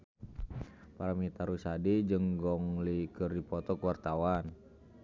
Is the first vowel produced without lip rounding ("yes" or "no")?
yes